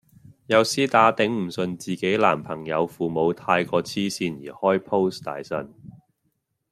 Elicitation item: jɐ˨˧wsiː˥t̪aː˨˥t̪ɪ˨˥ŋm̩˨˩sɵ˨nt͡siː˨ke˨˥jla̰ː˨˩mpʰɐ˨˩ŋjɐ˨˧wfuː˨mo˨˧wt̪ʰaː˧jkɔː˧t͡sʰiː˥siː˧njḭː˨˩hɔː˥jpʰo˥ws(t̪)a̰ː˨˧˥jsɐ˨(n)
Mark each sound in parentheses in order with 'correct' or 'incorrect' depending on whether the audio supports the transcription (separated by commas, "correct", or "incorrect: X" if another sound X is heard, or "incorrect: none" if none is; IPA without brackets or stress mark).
correct, correct